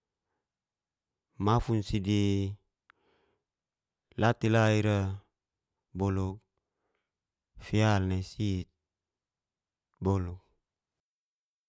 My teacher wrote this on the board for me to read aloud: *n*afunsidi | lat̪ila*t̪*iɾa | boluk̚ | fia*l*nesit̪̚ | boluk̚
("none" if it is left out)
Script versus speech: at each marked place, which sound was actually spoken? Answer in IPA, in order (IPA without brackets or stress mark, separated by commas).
m, none, l